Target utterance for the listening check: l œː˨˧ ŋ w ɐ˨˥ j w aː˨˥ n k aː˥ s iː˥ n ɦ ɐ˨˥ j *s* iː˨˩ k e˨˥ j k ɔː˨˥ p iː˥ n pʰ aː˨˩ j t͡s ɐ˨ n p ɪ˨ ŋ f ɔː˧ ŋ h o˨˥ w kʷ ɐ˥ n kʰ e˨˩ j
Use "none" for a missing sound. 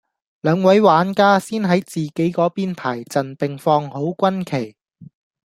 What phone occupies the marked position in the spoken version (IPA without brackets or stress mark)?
t͡s